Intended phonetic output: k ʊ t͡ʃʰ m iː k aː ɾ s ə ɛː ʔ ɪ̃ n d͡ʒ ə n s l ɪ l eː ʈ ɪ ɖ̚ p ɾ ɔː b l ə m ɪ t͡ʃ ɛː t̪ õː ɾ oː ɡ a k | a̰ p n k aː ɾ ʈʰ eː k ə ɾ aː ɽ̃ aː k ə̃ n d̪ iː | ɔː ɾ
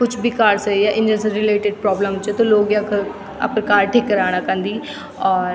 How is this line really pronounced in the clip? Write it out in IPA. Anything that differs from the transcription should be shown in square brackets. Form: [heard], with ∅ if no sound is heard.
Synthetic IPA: k ʊ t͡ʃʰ [b] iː k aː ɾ s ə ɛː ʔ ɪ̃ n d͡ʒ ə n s [ɾ] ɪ l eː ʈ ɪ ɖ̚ p ɾ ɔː b l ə m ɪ t͡ʃ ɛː t̪ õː [l] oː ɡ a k | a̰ p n k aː ɾ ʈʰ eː k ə ɾ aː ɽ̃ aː k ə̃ n d̪ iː | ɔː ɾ